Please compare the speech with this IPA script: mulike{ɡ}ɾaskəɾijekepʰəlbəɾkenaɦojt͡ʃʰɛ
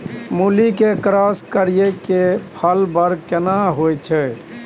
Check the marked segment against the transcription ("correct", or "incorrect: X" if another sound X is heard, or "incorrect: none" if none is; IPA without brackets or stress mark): incorrect: k